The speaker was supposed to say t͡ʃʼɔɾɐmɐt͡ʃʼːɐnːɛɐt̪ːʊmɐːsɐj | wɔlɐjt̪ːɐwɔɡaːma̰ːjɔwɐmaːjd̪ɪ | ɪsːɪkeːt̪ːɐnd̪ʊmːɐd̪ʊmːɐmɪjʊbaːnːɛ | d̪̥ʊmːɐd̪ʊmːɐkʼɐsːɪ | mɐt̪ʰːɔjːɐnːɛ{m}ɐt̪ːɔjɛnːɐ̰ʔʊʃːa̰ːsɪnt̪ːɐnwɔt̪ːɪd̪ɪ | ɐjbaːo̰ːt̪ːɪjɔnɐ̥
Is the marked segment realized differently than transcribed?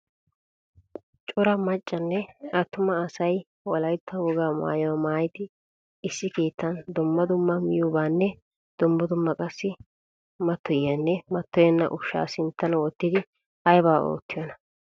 no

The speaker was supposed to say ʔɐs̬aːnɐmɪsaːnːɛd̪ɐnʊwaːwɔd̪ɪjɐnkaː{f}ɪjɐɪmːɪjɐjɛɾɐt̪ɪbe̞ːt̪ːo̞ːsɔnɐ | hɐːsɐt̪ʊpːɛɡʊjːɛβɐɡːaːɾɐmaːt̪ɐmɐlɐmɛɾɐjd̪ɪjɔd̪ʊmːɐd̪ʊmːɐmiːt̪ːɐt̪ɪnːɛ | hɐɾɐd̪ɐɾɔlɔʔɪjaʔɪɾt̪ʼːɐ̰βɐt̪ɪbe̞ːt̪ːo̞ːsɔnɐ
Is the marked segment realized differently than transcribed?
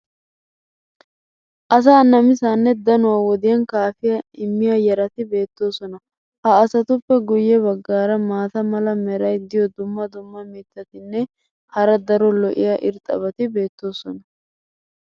no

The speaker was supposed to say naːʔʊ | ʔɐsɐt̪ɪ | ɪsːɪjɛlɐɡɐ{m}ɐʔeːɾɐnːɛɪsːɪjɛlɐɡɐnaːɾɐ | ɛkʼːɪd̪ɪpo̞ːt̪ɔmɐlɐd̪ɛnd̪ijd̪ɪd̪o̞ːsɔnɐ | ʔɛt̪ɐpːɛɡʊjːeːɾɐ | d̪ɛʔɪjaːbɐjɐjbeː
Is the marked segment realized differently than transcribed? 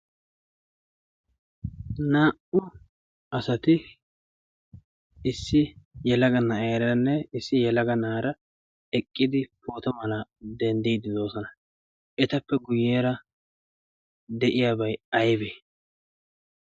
yes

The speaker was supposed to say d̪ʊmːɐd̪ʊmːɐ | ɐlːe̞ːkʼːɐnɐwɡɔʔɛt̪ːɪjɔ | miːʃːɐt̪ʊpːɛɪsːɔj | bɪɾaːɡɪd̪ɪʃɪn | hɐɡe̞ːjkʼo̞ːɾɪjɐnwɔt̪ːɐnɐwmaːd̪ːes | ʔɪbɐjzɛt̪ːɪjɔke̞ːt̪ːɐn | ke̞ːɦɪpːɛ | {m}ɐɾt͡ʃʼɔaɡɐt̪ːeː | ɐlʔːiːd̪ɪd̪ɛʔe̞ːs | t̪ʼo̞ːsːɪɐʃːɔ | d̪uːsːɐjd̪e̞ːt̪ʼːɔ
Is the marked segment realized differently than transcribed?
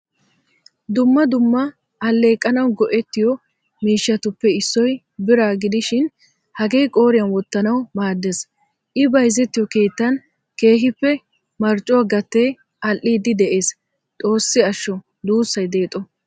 no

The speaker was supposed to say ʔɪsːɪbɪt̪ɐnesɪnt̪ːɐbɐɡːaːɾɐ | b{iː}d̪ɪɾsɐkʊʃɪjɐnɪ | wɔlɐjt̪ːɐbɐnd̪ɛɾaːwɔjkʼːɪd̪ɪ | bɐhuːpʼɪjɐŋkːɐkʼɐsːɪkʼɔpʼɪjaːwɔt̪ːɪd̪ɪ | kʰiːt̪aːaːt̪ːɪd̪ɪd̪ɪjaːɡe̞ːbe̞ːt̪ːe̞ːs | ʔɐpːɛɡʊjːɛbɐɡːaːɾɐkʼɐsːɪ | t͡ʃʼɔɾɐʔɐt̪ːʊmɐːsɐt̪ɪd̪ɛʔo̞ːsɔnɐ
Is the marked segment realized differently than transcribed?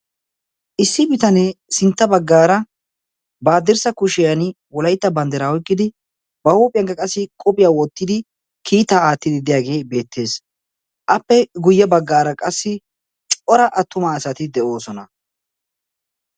yes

